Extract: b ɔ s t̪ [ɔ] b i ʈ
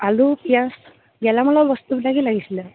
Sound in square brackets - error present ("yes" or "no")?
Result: yes